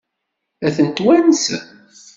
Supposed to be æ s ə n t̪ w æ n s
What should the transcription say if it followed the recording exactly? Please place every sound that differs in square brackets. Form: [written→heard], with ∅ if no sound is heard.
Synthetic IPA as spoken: æ [s→θ] ə n t̪ w æ n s